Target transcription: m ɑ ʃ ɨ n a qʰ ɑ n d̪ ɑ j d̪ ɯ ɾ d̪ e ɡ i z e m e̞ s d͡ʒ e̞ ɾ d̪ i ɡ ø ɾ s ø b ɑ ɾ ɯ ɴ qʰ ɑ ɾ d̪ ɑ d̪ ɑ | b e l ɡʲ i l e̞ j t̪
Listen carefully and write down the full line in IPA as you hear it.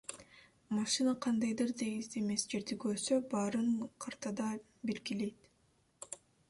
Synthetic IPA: m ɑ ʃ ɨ n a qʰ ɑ n d̪ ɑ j d̪ ɯ ɾ d̪ e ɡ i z e m e̞ s d͡ʒ e̞ ɾ d̪ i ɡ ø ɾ s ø b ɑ ɾ ɯ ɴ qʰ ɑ ɾ t̪ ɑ d̪ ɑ | b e l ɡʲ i l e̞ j t̪